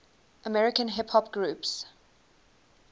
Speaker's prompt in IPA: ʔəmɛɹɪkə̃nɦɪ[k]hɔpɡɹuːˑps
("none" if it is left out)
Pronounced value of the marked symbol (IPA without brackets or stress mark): p